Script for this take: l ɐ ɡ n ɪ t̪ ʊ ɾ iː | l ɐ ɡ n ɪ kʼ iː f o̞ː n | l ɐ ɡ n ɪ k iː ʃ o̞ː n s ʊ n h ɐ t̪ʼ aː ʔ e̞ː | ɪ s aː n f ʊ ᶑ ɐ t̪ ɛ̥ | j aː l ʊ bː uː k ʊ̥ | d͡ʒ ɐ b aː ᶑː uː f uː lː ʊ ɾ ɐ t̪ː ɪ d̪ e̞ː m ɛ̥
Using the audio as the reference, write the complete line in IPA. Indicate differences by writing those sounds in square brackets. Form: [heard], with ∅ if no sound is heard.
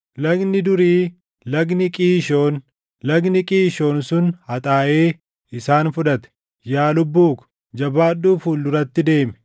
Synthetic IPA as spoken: l ɐ ɡ n ɪ [d̪] ʊ ɾ iː | l ɐ ɡ n ɪ kʼ iː [ʃ] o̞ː n | l ɐ ɡ n ɪ [kʼ] iː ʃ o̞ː n s ʊ n h ɐ t̪ʼ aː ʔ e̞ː | ɪ s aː n f ʊ ᶑ ɐ t̪ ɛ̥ | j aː l ʊ bː uː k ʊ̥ | d͡ʒ ɐ b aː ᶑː uː f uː lː ʊ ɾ ɐ t̪ː ɪ d̪ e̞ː m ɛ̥